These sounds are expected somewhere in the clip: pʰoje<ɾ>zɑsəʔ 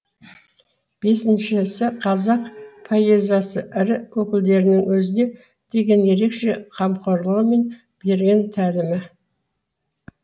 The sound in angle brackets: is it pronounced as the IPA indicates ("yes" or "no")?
no